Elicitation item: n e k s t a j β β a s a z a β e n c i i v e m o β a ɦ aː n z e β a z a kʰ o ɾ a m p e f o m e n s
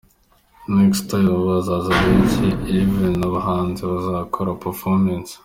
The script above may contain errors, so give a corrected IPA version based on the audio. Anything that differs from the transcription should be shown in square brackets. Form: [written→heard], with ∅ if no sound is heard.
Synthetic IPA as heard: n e k s t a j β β a [s→z] a z a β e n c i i v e [m→n] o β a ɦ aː n z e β a z a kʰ o ɾ a [m→∅] p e f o m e n s